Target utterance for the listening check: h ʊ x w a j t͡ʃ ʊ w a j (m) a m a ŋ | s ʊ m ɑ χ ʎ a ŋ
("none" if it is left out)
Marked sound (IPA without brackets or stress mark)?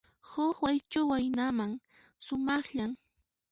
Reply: n